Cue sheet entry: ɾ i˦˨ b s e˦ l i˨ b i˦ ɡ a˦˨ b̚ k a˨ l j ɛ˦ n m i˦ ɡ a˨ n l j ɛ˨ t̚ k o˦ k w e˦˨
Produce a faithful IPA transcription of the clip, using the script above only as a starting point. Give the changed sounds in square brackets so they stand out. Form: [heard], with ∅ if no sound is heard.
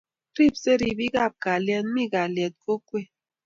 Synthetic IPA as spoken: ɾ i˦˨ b s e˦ [ɾ] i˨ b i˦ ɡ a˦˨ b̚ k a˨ l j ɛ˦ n m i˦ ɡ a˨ [∅] l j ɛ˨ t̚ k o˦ k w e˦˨